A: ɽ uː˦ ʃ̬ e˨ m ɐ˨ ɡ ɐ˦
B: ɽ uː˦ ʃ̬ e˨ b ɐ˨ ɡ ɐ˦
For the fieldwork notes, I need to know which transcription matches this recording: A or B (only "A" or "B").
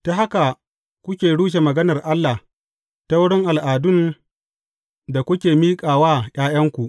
A